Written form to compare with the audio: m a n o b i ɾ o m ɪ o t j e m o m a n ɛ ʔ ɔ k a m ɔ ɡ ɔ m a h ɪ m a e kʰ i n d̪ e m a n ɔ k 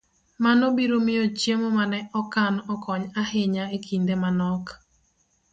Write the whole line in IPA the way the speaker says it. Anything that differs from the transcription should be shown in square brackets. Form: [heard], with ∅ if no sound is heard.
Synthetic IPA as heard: m a n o b i ɾ o m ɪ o [t͡ʃ] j e m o m a n ɛ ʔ ɔ k a [n] ɔ [k] ɔ [ɲ] a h ɪ [ɲ] a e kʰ i n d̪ e m a n ɔ k